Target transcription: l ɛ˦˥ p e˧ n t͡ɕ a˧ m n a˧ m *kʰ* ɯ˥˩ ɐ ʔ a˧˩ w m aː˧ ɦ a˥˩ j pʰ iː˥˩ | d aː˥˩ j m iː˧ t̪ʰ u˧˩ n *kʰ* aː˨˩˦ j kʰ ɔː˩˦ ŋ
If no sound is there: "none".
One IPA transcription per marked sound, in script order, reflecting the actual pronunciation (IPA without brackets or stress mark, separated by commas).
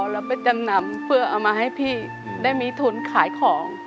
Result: pʰ, kʰ